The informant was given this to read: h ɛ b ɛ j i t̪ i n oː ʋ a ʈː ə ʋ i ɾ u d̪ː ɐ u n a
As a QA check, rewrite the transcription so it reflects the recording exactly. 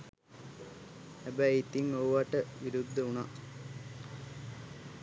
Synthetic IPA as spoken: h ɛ b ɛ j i t̪ i ŋ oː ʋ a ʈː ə ʋ i ɾ u d̪ː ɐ u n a

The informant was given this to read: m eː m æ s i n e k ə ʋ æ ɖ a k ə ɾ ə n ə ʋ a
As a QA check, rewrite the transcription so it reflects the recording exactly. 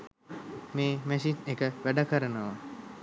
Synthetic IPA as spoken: m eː m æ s i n e k ə ʋ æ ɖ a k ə ɾ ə n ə ʋ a

